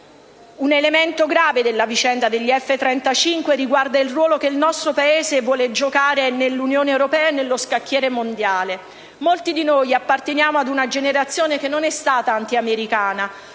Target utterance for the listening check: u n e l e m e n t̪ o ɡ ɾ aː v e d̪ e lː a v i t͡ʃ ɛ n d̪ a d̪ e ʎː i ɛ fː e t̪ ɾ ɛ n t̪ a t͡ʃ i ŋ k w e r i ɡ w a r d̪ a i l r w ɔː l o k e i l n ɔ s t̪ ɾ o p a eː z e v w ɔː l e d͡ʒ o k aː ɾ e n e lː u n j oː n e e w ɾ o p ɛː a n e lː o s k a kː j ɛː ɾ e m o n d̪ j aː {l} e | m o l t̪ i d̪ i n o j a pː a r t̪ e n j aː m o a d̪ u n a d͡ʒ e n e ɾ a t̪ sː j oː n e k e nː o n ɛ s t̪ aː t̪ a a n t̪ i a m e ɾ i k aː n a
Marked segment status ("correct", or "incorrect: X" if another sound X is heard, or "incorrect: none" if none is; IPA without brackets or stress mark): correct